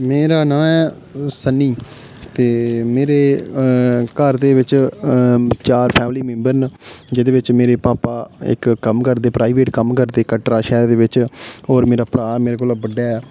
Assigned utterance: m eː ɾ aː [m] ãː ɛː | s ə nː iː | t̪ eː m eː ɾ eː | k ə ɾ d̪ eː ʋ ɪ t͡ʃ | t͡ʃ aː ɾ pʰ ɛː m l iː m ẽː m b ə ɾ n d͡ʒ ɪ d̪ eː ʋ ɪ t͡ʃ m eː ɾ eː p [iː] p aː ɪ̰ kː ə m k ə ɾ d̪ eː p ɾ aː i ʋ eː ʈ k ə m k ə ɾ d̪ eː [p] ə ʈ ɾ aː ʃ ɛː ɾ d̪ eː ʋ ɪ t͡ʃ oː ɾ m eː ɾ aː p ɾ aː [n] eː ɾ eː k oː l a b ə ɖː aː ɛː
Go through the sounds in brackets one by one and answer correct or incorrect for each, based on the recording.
incorrect, incorrect, incorrect, incorrect

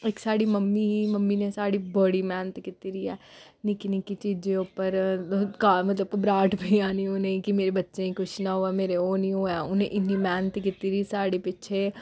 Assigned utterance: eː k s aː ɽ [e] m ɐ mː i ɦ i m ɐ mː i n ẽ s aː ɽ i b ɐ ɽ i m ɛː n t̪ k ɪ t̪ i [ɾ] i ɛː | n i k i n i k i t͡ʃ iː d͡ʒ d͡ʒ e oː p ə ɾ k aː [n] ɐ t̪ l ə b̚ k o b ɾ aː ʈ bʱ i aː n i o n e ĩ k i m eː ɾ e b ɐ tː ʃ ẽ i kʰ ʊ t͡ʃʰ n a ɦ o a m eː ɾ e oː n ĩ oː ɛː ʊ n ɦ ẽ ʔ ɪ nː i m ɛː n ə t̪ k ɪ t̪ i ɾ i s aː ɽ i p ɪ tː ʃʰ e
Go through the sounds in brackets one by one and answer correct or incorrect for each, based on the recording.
incorrect, correct, incorrect

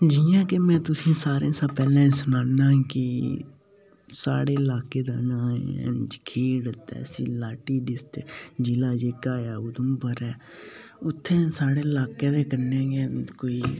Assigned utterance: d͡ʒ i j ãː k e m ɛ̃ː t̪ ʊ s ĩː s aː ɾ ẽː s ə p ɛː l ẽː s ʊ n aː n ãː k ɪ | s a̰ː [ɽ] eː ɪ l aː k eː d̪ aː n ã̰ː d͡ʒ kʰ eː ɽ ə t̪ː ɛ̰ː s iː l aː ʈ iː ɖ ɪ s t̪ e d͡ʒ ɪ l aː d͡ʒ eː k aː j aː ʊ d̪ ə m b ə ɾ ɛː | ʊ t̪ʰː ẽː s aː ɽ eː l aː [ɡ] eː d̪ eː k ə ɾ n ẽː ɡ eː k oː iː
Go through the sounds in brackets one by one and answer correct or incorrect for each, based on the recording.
correct, incorrect

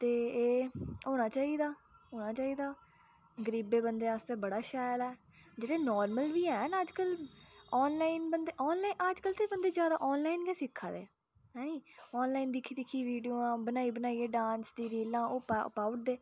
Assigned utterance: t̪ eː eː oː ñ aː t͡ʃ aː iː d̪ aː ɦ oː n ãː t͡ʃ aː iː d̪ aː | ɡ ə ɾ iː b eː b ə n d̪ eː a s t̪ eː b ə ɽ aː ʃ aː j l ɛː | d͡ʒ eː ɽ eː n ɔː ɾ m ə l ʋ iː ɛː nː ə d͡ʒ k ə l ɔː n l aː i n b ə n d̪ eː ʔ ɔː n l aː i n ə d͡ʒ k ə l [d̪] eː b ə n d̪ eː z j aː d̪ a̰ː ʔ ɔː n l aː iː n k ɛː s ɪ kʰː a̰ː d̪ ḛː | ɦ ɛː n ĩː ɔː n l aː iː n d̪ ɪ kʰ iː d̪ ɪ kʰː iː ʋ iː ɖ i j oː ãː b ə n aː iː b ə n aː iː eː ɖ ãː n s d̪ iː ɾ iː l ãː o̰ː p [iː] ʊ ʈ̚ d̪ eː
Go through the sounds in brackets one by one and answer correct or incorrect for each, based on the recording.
incorrect, incorrect

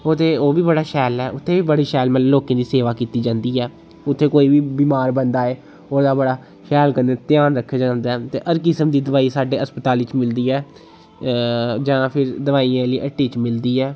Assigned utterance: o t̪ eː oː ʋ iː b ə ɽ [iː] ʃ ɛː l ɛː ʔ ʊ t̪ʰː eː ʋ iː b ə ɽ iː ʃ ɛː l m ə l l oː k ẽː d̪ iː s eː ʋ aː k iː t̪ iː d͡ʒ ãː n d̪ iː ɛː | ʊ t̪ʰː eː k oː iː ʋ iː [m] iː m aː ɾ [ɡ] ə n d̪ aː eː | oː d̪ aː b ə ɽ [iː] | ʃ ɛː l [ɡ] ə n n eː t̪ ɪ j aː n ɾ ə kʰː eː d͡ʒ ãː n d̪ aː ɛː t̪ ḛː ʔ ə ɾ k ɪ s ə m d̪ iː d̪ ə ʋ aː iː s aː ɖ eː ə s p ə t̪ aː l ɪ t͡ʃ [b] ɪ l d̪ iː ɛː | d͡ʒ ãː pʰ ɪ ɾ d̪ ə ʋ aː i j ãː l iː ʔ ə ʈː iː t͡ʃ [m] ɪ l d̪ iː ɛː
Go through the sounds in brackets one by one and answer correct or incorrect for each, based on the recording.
incorrect, incorrect, incorrect, incorrect, incorrect, incorrect, correct

